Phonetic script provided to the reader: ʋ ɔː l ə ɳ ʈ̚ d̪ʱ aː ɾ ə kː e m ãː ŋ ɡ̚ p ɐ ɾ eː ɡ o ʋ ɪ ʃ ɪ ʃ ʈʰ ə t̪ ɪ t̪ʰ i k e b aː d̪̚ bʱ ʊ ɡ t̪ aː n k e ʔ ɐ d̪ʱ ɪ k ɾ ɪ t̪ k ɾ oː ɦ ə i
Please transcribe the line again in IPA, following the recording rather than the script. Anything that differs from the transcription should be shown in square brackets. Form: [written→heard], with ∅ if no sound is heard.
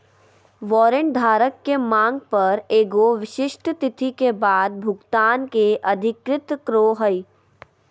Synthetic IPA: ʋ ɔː [l→ɾ] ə ɳ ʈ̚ d̪ʱ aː ɾ ə kː e m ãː ŋ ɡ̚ p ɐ ɾ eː ɡ o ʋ ɪ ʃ ɪ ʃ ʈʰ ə t̪ ɪ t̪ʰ i k e b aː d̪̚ bʱ ʊ ɡ t̪ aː n k e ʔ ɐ d̪ʱ ɪ k ɾ ɪ t̪ k ɾ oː ɦ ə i